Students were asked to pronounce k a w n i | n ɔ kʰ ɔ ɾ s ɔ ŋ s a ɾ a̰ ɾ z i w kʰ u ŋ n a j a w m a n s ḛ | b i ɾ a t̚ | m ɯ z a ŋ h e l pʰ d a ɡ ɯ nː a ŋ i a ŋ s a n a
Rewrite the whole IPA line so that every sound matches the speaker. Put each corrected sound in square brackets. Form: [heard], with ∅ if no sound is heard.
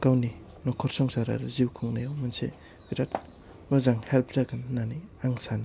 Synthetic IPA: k a w n i | n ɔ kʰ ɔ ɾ s ɔ ŋ s a ɾ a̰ ɾ z i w kʰ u ŋ n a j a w m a n s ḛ | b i ɾ a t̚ | m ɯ z a ŋ h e l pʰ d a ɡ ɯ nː a [n] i a ŋ s a n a